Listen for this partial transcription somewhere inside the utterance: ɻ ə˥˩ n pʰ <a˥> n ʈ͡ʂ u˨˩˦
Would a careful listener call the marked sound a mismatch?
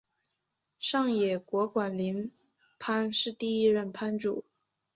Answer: no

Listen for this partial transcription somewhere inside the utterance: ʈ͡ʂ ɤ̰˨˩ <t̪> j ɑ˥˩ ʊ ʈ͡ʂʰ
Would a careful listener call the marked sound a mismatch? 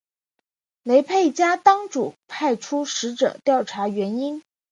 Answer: no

